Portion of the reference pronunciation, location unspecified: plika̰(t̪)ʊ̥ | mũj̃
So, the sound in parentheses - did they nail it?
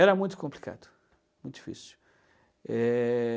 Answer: no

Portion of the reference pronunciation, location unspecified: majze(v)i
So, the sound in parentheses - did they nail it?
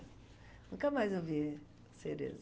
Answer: yes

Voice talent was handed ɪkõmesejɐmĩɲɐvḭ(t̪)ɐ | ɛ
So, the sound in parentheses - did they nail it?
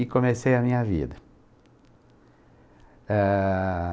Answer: no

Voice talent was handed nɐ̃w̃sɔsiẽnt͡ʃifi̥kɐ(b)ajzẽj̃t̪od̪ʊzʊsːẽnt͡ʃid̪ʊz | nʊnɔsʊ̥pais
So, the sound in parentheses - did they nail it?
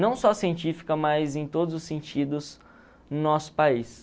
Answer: no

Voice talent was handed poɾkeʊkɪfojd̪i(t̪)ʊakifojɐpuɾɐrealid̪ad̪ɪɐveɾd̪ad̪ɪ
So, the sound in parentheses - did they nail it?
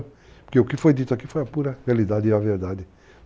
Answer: yes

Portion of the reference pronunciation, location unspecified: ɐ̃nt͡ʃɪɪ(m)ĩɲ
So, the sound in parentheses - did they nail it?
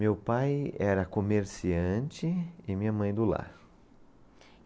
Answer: yes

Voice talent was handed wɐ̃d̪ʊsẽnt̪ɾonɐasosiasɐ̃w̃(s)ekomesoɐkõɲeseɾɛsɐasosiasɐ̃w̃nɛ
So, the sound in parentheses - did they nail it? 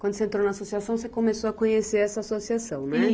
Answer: yes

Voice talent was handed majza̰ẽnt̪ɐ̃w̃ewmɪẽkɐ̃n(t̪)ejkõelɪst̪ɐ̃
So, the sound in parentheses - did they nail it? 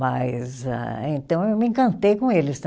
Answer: yes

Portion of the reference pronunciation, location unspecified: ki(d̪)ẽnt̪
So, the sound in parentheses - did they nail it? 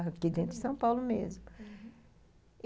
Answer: yes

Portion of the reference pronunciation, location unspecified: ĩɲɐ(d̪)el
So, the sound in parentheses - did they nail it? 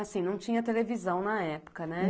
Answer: no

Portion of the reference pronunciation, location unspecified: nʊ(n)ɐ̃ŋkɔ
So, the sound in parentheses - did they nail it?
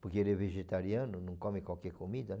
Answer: yes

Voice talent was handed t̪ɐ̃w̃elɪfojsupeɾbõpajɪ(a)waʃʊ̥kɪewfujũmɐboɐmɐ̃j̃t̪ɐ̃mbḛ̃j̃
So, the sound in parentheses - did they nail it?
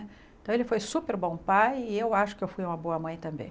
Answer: no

